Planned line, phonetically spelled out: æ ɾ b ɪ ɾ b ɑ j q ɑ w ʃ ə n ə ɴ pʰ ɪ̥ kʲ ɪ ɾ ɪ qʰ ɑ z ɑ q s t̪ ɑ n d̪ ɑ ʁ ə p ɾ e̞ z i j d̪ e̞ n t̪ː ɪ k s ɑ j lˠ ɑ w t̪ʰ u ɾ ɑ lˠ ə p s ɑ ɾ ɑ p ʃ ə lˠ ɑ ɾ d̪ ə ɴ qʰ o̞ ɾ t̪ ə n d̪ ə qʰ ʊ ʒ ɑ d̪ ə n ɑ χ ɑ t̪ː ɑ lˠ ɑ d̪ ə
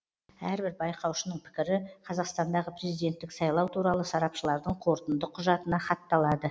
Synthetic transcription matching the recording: æ ɾ b ɪ ɾ b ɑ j q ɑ w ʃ ə n ə ɴ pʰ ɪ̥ kʲ ɪ ɾ ɪ qʰ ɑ z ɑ q s t̪ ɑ n d̪ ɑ ʁ ə p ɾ e̞ z i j d̪ e̞ n t̪ː ɪ k s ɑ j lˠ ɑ w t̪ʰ u ɾ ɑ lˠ ə s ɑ ɾ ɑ p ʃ ə lˠ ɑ ɾ d̪ ə ɴ qʰ o̞ ɾ t̪ ə n d̪ ə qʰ ʊ ʒ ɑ t̪ ə n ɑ χ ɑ t̪ː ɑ lˠ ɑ d̪ ə